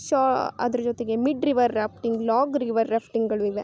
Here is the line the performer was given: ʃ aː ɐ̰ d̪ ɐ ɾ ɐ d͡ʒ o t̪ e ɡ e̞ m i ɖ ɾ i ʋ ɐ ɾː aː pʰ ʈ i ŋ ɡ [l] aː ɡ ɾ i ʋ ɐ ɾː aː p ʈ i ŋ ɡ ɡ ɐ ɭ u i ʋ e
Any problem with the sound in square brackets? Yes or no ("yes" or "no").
no